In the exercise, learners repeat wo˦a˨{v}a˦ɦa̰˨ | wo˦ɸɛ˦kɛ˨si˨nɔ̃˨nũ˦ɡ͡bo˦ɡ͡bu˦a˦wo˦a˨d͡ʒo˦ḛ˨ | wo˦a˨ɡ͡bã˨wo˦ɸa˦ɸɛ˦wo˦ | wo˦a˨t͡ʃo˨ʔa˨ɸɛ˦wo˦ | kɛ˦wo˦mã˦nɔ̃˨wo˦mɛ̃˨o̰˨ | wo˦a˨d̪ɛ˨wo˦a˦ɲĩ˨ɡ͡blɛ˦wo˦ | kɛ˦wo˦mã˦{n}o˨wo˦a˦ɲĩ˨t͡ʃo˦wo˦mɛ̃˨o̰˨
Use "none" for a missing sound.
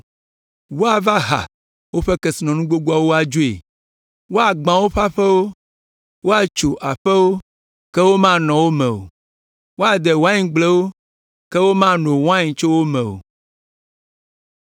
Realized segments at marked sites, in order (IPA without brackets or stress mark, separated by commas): v, n